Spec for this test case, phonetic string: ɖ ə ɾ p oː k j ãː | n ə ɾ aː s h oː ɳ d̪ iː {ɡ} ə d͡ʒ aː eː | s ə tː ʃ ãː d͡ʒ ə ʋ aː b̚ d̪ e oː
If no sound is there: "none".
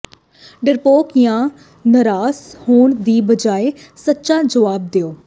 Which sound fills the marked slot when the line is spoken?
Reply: b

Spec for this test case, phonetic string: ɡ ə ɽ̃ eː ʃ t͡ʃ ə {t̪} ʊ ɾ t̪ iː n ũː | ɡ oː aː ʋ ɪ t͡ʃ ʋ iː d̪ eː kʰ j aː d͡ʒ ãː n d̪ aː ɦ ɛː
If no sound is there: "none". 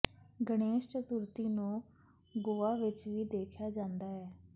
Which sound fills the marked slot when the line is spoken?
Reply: t̪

